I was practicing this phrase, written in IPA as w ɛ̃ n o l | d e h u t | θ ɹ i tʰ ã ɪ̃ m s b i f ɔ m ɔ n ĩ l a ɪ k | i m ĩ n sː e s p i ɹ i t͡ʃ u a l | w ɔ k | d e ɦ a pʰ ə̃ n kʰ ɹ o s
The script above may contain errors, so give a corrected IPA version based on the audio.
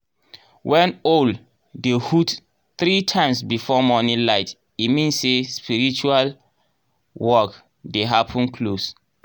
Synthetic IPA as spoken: w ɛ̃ n o l | d e h u t | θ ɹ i tʰ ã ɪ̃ m s b i f ɔ m ɔ n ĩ l a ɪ t | i m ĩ n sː e s p i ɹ i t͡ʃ u a l | w ɔ k | d e ɦ a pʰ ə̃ n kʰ l o s

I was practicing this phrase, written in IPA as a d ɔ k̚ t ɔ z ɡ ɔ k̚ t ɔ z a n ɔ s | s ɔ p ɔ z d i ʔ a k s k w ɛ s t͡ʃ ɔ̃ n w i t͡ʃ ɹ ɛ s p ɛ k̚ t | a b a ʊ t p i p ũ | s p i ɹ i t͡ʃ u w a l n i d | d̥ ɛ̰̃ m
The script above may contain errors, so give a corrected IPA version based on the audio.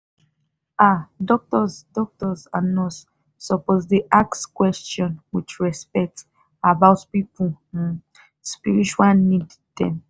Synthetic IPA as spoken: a d ɔ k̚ t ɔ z d ɔ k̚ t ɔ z a n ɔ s | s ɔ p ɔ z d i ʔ a k s k w ɛ s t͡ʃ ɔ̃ n w i t͡ʃ ɹ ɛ s p ɛ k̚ t | a b a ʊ t p i p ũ | s p i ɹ i t͡ʃ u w a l n i d | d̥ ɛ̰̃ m

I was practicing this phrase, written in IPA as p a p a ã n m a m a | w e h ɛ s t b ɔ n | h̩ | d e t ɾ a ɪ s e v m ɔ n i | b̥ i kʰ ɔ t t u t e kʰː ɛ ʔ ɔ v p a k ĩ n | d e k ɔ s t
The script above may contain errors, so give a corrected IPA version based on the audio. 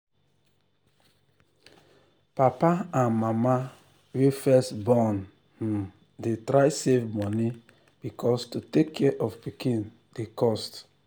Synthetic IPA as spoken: p a p a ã n m a m a | w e f ɛ s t b ɔ n | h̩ | d e t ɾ a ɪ s e v m ɔ n i | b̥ i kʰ ɔ s t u t e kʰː ɛ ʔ ɔ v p i k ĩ n | d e k ɔ s t

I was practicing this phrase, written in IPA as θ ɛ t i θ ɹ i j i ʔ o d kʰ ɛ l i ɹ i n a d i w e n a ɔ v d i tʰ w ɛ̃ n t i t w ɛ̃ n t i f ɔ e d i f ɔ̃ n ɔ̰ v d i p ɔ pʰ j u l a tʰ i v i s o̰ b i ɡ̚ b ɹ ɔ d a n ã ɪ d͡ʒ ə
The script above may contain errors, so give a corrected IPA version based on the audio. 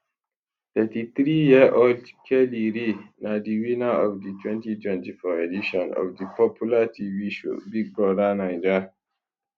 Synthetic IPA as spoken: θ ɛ t i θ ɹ i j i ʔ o d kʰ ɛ l i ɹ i n a d i w i n a ɔ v d i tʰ w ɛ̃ n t i t w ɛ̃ n t i f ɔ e d i ʃ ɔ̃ n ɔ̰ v d i p ɔ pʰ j u l a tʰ i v i ʃ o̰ b i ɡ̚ b ɹ ɔ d a n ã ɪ d͡ʒ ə

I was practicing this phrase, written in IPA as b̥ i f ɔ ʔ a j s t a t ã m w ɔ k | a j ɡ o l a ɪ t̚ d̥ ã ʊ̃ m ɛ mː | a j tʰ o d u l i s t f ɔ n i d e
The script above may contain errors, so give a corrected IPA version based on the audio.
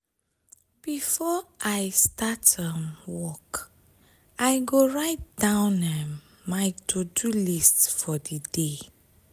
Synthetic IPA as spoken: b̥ i f ɔ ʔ a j s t a t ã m w ɔ k | a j ɡ o ɹ a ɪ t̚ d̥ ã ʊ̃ n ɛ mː | a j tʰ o d u l i s t f ɔ d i d e

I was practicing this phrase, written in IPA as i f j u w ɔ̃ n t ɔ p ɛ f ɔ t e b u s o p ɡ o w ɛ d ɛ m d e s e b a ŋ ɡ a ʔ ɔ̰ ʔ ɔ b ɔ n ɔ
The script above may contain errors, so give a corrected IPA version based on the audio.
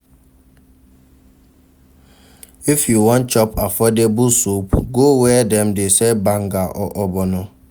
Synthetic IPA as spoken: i f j u w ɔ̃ n t͡ʃ ɔ p a f ɔ d e b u s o p ɡ o w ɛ d ɛ m d e s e b a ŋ ɡ a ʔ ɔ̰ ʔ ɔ b ɔ n ɔ

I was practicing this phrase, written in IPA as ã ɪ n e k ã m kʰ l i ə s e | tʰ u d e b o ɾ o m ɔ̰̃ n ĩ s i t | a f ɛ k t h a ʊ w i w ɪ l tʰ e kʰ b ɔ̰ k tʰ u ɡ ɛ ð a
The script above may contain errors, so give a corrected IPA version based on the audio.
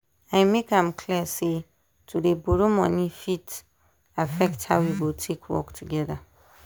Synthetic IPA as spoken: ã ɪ m e k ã m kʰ l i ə s e | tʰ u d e b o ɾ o m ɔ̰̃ n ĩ f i t | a f ɛ k t h a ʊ w i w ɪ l tʰ e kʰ w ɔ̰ k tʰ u ɡ ɛ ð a

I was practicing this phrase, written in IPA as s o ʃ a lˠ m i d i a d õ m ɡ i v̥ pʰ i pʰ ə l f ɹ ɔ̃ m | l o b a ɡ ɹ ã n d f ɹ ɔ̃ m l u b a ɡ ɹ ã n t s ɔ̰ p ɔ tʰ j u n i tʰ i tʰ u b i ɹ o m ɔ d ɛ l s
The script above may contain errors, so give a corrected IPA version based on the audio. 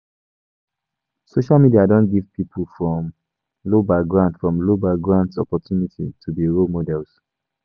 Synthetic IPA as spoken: s o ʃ a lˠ m i d i a d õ n ɡ i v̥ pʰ i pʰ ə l f ɹ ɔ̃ m | l o b a ɡ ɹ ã n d f ɹ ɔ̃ m l o b a ɡ ɹ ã n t s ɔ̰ p ɔ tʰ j u n i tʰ i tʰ u b i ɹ o m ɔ d ɛ l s

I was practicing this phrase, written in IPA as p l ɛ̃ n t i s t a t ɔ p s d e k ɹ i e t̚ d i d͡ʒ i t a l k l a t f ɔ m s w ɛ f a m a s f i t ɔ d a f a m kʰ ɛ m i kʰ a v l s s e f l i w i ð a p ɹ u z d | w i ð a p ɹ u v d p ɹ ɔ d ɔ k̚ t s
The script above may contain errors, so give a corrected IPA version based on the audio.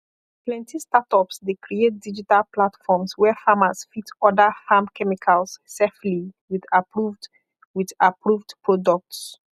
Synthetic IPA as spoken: p l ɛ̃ n t i s t a t ɔ p s d e k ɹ i e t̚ d i d͡ʒ i t a l p l a t f ɔ m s w ɛ f a m a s f i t ɔ d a f a m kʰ ɛ m i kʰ a l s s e f l i w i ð a p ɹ u v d | w i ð a p ɹ u v d p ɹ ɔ d ɔ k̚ t s

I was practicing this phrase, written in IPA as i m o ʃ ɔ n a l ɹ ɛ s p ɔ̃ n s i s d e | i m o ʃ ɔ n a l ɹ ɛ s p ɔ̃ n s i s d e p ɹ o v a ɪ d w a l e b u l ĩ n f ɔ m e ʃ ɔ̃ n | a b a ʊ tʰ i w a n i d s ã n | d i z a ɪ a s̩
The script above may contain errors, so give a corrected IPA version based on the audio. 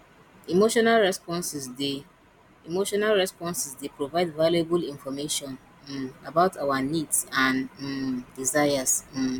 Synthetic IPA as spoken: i m o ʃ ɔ n a l ɹ ɛ s p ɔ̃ n s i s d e | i m o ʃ ɔ n a l ɹ ɛ s p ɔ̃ n s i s d e p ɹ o v a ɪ d v a l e b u l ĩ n f ɔ m e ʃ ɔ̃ n | a b a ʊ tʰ a w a n i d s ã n | d i z a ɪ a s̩

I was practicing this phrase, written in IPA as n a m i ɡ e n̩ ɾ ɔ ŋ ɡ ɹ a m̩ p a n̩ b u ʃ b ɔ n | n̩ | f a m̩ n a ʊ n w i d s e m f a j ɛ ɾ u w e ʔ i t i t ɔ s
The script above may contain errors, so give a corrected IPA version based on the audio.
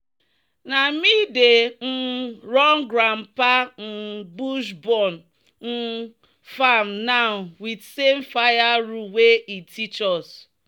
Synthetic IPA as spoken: n a m i d e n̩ ɾ ɔ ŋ ɡ ɾ a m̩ p a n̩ b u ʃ b ɔ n | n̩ | f a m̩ n a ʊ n w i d s e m f a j a ɾ u w e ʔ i t i t͡ʃ ɔ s

